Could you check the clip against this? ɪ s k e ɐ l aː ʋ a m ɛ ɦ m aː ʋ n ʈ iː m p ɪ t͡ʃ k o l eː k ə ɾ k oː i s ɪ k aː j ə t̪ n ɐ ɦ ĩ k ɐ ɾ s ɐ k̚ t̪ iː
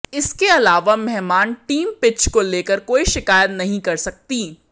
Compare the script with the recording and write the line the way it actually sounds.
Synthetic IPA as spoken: ɪ s k e ɐ l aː ʋ a m ɛ ɦ m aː n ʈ iː m p ɪ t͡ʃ k o l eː k ə ɾ k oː i ʃ ɪ k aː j ə t̪ n ɐ ɦ ĩ k ɐ ɾ s ɐ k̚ t̪ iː